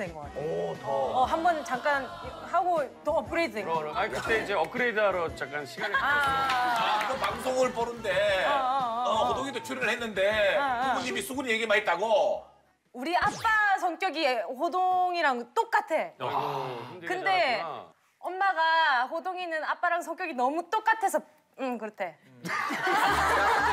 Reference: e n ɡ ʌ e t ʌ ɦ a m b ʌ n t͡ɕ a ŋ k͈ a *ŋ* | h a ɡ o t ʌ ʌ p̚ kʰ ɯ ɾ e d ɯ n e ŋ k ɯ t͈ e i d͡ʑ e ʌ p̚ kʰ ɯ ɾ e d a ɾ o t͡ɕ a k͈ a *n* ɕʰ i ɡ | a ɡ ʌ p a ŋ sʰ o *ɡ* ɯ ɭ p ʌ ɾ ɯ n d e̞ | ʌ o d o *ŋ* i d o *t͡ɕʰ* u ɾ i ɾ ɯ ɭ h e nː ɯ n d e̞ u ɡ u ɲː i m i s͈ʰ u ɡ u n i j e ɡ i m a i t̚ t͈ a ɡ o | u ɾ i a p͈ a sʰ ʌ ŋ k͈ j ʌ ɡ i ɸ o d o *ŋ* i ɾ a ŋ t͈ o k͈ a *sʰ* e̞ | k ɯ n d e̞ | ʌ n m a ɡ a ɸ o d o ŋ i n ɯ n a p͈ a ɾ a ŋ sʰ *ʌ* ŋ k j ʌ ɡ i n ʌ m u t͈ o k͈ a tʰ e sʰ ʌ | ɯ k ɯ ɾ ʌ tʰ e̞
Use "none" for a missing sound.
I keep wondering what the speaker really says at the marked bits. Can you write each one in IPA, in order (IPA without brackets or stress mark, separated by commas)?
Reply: n, n, ŋ, ŋ, t͡ɕʰ, ŋ, tʰ, ʌ